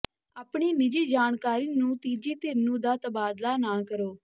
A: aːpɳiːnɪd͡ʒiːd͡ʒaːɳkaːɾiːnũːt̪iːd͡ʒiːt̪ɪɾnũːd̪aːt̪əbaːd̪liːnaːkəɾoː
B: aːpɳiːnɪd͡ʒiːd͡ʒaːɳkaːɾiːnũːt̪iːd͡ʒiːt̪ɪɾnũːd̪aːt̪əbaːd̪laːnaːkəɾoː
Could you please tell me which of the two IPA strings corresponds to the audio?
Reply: B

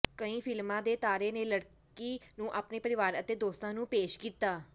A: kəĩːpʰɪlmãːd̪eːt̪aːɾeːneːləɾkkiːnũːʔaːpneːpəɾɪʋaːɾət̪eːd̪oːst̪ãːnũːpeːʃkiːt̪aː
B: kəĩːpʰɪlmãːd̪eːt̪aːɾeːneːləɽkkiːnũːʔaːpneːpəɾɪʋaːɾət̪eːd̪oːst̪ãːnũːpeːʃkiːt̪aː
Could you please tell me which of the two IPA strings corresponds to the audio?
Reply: B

